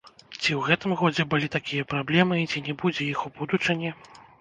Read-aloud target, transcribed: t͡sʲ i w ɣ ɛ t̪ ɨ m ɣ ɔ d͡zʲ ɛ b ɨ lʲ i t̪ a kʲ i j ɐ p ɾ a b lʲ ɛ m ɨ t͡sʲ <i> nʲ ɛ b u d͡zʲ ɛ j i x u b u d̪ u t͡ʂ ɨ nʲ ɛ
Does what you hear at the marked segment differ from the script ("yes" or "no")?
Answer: no